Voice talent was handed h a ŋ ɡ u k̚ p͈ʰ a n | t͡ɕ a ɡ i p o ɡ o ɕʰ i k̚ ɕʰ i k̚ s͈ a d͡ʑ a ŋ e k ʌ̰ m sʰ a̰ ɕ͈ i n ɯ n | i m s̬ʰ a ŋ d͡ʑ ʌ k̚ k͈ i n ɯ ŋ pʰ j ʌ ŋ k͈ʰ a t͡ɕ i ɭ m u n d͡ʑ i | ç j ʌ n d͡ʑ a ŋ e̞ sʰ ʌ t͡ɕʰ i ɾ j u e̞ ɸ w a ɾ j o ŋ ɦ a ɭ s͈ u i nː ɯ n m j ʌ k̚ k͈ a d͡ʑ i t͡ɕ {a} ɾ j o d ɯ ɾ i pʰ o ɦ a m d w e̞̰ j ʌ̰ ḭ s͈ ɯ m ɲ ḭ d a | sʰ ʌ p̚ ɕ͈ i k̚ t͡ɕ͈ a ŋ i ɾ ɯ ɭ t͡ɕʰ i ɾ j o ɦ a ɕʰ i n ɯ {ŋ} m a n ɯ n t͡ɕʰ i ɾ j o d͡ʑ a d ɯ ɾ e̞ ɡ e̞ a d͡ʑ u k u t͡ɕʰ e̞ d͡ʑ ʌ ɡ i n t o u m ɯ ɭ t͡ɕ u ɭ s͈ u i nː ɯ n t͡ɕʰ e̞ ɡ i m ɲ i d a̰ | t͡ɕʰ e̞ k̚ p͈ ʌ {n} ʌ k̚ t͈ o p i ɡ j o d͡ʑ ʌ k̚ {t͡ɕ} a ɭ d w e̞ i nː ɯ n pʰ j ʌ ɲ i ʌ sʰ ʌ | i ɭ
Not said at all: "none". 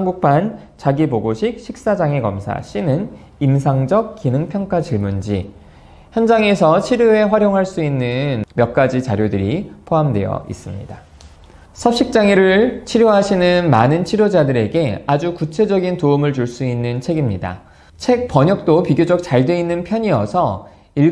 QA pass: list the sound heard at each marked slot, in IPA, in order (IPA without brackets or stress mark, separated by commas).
a, n, ɲ, t͡ɕ